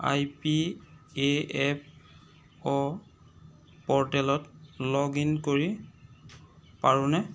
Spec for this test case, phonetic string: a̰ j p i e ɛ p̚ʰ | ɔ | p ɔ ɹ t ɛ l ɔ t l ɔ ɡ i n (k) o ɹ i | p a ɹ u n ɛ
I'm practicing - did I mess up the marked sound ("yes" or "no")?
no